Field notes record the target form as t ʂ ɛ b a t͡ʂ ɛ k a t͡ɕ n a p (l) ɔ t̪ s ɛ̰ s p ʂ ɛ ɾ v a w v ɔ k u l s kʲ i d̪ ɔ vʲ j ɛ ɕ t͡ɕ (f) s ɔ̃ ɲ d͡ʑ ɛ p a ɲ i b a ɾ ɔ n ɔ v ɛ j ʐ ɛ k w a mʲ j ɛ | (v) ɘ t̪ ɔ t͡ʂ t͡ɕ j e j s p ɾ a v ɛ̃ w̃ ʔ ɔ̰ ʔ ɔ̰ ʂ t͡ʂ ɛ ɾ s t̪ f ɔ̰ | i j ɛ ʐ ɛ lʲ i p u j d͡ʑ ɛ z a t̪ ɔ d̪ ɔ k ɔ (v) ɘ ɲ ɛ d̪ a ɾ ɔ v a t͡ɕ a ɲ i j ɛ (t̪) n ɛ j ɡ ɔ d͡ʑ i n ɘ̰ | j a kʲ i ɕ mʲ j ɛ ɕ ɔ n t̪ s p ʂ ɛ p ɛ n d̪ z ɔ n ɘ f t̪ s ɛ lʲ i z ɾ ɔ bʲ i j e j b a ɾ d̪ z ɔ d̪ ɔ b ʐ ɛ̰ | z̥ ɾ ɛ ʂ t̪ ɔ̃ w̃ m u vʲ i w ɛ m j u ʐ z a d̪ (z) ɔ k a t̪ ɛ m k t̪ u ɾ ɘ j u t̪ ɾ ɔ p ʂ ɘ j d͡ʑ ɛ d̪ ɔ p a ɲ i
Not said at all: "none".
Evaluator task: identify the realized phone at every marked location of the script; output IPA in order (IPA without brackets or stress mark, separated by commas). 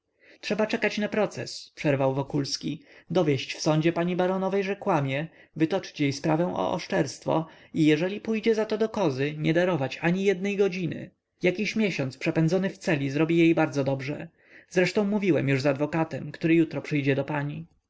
ɾ, f, v, z, d̪, v